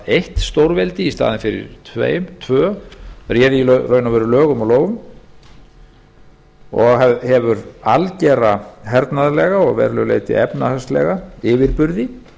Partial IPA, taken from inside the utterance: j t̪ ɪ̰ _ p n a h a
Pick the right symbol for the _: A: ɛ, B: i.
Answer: A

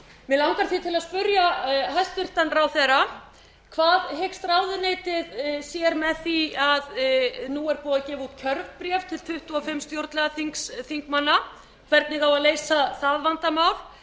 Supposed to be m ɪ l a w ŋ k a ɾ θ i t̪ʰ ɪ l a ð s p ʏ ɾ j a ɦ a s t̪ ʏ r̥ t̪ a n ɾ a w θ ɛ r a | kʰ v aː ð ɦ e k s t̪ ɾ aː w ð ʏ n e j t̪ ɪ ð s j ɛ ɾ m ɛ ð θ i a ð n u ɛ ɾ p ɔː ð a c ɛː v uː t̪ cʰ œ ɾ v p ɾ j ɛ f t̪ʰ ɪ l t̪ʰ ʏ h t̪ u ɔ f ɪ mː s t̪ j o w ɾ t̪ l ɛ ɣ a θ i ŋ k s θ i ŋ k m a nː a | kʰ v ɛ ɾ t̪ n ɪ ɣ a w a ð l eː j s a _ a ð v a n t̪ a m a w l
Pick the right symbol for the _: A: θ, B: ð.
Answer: A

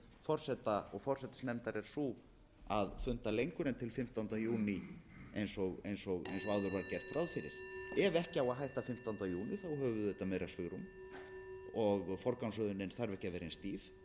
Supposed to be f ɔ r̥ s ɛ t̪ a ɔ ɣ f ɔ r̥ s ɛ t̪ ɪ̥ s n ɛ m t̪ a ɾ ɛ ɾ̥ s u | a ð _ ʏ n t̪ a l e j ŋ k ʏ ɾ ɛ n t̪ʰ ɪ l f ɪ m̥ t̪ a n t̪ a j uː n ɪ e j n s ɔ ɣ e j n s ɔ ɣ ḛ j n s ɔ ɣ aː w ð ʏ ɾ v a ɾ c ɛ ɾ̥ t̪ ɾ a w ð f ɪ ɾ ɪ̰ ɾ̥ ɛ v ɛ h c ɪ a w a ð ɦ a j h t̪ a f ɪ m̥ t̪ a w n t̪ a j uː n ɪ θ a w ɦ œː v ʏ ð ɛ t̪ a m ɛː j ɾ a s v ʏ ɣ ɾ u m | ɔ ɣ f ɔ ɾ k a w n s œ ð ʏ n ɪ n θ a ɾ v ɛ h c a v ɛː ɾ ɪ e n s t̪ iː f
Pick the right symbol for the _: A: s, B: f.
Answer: B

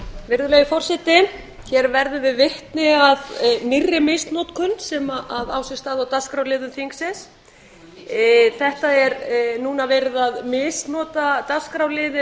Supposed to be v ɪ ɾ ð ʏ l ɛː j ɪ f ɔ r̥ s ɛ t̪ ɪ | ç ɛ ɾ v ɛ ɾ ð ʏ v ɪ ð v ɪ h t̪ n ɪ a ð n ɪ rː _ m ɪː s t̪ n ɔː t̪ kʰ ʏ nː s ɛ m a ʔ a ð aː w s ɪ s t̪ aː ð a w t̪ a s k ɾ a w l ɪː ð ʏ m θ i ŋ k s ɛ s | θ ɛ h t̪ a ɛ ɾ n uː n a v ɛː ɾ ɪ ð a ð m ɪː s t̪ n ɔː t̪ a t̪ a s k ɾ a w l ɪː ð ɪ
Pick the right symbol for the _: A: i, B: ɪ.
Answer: B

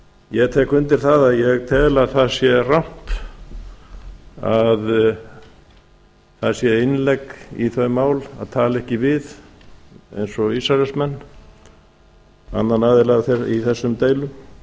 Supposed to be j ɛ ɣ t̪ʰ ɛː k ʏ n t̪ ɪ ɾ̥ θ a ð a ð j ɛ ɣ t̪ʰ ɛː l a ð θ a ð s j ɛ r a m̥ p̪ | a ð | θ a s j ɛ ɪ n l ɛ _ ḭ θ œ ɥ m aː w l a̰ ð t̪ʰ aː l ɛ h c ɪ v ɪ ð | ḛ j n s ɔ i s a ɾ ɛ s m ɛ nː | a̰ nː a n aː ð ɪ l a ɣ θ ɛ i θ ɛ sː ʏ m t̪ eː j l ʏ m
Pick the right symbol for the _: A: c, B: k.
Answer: B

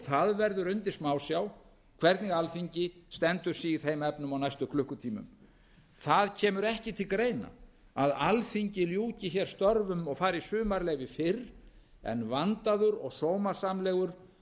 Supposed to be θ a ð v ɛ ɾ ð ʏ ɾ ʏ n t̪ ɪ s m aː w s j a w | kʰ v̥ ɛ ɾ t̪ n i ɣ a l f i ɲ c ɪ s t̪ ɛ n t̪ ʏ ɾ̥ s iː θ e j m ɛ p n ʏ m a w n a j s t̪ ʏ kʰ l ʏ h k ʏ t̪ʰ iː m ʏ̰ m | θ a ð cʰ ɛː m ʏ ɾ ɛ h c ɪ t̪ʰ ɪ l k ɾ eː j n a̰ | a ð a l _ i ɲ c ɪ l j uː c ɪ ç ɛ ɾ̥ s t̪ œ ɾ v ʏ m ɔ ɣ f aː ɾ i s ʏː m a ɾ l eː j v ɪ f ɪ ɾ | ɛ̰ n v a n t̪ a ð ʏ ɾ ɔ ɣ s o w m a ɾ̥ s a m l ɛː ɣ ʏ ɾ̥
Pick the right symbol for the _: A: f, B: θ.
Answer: A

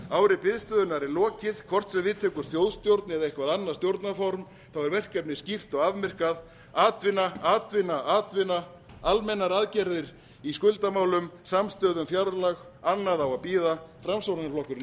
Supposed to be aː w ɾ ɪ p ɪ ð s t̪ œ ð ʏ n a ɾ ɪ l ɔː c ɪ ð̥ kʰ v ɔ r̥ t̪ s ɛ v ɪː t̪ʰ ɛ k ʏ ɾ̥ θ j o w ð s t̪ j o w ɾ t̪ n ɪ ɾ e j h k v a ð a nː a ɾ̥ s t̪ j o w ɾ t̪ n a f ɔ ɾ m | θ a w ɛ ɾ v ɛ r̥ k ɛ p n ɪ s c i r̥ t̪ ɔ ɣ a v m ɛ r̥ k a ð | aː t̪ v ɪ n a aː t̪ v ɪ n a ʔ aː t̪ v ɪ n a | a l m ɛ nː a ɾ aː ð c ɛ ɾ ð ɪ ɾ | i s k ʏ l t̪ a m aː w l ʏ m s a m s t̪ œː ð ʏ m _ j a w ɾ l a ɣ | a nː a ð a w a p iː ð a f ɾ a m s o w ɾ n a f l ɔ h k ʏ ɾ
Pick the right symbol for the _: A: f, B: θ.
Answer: A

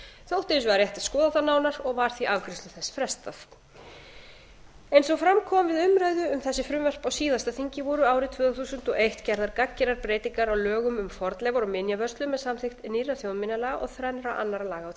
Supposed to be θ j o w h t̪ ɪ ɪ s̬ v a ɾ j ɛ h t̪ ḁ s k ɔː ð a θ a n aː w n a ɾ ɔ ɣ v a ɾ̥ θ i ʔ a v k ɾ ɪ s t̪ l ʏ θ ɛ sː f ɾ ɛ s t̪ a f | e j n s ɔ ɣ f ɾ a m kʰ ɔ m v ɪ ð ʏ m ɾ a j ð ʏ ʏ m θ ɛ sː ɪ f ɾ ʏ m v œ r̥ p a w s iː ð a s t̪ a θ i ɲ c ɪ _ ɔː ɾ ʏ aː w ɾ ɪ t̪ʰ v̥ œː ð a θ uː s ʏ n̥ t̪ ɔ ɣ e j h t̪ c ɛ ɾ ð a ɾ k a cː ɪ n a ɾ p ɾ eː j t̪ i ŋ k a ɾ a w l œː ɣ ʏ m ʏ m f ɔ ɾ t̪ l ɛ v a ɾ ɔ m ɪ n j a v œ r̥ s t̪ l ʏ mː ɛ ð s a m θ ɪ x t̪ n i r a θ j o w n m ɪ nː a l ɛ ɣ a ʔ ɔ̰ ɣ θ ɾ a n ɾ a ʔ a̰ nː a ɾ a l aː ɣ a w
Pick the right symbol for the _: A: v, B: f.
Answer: A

